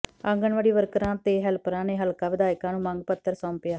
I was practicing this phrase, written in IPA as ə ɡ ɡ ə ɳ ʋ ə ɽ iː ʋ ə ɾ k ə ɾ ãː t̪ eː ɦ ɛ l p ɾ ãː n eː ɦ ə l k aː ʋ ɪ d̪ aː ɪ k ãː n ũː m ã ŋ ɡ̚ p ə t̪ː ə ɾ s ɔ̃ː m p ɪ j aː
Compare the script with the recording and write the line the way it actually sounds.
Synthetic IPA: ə ŋ ɡ ə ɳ ʋ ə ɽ iː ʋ ə ɾ k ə ɾ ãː t̪ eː ɦ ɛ l p ɾ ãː n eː ɦ ə l k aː ʋ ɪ d̪ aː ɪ k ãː n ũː m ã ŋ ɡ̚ p ə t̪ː ə ɾ s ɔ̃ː m p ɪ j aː